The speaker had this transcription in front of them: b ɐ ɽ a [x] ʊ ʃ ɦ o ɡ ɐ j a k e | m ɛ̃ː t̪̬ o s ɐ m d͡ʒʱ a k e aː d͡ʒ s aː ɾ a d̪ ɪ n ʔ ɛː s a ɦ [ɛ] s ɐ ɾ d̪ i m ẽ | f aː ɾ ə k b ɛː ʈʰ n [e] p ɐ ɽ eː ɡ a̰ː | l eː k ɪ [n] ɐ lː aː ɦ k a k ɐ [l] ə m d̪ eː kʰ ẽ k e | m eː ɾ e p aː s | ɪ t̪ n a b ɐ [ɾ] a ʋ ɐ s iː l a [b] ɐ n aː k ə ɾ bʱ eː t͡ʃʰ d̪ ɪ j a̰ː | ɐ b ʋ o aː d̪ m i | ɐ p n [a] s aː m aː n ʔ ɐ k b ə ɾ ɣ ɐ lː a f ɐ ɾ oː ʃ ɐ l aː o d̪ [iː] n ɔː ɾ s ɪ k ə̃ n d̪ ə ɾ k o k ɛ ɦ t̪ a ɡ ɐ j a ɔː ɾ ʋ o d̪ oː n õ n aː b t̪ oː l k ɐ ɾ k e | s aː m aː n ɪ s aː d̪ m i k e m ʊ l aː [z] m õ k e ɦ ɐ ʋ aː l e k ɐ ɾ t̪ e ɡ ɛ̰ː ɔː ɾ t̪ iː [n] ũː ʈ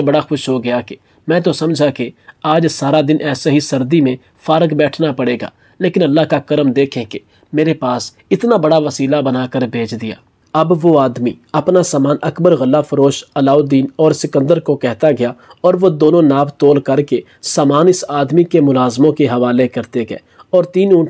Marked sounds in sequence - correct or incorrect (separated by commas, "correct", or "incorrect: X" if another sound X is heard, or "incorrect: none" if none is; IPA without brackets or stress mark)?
correct, incorrect: i, incorrect: a, correct, incorrect: ɾ, incorrect: ɽ, correct, correct, correct, correct, correct